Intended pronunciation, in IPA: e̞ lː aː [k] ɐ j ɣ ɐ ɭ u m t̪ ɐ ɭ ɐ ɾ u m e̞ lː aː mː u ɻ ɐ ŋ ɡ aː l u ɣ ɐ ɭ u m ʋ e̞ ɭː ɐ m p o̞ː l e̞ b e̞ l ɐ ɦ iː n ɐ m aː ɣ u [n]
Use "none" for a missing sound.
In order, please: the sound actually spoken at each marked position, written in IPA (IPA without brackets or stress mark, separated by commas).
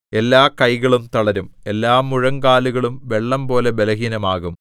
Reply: k, m